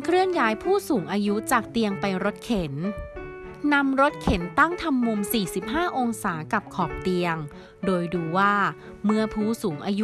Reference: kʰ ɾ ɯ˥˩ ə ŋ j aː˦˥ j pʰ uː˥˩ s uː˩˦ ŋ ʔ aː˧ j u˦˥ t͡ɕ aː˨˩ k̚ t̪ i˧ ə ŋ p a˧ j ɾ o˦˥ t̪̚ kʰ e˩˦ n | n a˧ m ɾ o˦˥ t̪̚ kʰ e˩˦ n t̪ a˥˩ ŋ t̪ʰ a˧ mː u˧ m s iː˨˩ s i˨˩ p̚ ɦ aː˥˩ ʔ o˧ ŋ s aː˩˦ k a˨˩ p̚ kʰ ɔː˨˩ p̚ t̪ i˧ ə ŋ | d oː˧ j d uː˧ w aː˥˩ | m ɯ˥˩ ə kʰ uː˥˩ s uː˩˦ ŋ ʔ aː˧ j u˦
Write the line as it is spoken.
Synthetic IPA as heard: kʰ ɾ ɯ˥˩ ə ŋ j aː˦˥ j pʰ uː˥˩ s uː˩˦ ŋ ʔ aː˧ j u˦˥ t͡ɕ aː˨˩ k̚ t̪ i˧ ə ŋ p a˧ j ɾ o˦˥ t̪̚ kʰ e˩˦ n | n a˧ m ɾ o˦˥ t̪̚ kʰ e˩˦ n t̪ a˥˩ ŋ t̪ʰ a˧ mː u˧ m s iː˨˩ s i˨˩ p̚ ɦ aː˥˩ ʔ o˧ ŋ s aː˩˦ k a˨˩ p̚ kʰ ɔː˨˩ p̚ t̪ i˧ ə ŋ | d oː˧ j d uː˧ w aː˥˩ | m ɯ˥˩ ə pʰ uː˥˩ s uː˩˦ ŋ ʔ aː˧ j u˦